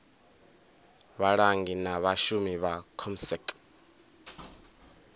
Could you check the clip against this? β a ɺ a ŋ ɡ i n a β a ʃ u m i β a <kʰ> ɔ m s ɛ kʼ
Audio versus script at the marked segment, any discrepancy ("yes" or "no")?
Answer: no